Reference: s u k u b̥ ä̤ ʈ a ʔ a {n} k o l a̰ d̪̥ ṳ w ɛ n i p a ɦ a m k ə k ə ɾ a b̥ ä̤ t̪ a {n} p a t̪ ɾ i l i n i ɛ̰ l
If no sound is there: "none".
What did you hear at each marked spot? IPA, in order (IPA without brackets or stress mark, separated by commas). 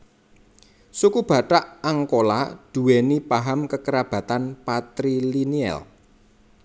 ŋ, n